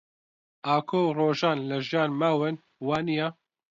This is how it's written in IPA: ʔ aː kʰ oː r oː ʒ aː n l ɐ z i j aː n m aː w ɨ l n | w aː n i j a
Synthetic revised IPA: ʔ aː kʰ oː r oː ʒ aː n l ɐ ʒ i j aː n m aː w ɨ n | w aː n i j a

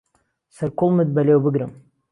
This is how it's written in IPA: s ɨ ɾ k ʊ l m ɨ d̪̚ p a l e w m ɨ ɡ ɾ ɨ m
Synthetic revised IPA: s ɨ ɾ k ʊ l m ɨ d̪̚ b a l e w b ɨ ɡ ɾ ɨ m

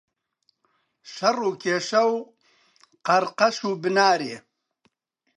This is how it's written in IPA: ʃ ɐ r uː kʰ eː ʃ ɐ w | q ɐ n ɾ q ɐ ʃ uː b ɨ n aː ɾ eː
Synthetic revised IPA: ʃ ɐ r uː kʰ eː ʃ ɐ w | q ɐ ɾ q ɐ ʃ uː b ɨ n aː ɾ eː

